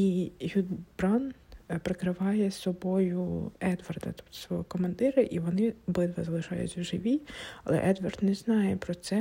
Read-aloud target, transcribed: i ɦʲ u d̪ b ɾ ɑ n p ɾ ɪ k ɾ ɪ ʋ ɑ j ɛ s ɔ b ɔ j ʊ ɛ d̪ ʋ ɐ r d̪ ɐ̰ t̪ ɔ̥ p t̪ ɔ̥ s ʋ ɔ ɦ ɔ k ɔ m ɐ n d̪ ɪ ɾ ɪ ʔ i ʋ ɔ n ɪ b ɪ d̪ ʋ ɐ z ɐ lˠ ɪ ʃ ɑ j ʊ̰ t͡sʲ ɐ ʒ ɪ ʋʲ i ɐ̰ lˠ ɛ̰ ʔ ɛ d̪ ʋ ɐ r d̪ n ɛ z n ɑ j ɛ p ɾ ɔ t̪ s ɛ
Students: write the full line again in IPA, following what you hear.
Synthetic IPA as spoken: i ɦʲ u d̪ b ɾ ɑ n p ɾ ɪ k ɾ ɪ ʋ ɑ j ɛ s ɔ b ɔ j ʊ ɛ d̪ ʋ ɐ r d̪ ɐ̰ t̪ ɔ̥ p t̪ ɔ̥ s ʋ ɔ ɦ ɔ k ɔ m ɐ n d̪ ɪ ɾ ɪ ʔ i ʋ ɔ n ɪ b ɪ d̪ ʋ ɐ z ɐ lˠ ɪ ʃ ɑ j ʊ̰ t͡sʲ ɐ ʒ ɪ ʋʲ i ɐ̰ lˠ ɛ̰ ʔ ɛ d̪ ʋ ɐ r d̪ n ɛ z n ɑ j ɛ p ɾ ɔ t̪ s ɛ